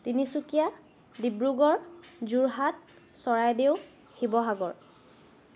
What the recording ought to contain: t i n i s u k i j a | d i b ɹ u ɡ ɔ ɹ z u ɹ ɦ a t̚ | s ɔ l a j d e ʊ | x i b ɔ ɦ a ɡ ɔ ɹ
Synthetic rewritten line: t i n i s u k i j a | d i b ɹ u ɡ ɔ ɹ z u ɹ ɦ a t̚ | s ɔ ɹ a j d e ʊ | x i b ɔ ɦ a ɡ ɔ ɹ